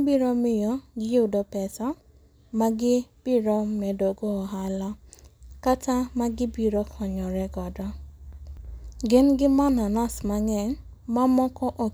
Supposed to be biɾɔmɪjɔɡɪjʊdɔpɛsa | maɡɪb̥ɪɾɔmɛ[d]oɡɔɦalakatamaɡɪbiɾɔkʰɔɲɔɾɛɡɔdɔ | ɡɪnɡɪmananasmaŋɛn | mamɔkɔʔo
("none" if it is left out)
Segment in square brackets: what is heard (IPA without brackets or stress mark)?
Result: d